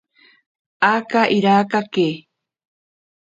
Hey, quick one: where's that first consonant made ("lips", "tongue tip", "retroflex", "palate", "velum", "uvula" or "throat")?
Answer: velum